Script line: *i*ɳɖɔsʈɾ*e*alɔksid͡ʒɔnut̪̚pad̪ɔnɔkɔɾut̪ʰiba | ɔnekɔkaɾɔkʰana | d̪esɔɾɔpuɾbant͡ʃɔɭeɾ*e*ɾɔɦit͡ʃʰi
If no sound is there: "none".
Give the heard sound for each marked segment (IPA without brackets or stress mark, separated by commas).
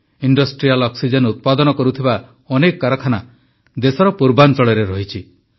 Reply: i, i, e